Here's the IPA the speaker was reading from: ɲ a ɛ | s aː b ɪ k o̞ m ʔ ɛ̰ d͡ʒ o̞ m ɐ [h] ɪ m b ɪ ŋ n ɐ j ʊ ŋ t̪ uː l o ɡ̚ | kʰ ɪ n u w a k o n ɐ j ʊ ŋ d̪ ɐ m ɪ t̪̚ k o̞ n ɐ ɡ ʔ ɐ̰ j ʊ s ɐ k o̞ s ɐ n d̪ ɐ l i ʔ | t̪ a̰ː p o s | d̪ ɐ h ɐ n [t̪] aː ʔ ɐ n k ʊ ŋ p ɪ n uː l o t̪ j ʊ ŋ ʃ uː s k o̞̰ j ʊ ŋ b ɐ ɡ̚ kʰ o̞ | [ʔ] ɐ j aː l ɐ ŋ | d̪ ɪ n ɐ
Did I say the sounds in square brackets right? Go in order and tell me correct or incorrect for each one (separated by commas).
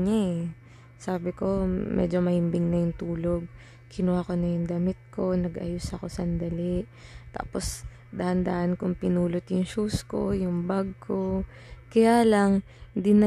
correct, incorrect, incorrect